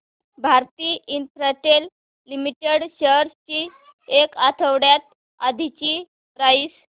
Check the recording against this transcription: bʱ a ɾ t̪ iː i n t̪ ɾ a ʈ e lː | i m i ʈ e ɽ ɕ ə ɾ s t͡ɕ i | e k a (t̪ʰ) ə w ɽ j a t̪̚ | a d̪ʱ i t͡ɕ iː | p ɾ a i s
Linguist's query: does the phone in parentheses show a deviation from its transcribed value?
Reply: no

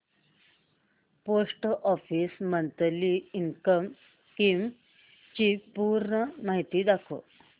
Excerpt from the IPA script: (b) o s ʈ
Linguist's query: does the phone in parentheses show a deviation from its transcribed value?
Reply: yes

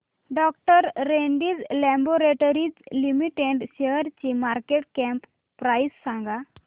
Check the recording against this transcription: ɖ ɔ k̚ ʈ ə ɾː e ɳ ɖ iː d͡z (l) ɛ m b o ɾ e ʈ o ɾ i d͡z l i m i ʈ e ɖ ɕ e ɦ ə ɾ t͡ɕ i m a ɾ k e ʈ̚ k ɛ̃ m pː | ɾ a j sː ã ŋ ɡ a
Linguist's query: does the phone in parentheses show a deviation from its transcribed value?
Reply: no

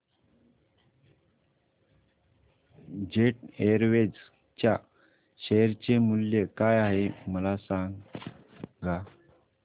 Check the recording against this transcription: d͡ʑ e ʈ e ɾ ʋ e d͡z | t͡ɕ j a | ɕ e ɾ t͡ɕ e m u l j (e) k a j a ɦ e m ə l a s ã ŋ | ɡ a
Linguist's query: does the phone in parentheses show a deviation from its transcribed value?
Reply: no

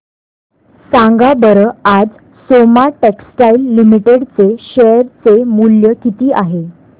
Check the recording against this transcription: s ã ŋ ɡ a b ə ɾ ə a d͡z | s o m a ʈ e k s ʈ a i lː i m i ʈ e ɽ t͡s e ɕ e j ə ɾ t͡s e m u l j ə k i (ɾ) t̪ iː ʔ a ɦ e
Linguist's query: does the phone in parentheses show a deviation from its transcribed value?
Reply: yes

